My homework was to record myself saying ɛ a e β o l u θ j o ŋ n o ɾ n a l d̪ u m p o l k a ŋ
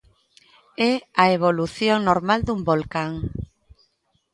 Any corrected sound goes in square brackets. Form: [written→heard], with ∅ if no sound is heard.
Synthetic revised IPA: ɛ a e β o l u θ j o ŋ n o ɾ [n→m] a l d̪ u m [p→b] o l k a ŋ